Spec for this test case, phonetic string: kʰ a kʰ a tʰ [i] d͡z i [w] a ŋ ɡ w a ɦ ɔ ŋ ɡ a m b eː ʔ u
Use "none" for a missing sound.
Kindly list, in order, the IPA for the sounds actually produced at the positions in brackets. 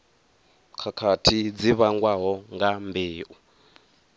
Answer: i, β

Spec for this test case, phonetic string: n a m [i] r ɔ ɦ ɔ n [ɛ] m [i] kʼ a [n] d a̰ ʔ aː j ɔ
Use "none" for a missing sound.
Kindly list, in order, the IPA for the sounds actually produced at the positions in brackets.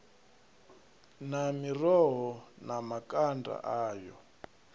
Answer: i, a, a, n

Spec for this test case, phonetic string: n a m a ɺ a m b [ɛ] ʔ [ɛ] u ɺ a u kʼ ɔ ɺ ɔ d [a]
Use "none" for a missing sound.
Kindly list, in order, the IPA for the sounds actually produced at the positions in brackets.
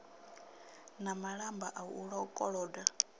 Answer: a, a, a

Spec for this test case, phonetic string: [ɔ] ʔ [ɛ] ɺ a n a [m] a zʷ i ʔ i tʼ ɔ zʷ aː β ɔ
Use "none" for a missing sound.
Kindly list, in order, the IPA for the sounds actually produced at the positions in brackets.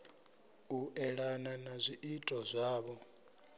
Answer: u, ɛ, n

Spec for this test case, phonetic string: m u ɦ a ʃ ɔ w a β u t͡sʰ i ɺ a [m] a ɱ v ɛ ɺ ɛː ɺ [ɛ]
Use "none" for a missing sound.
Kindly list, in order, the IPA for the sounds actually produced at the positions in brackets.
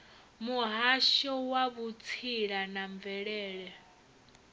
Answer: n, ɛ

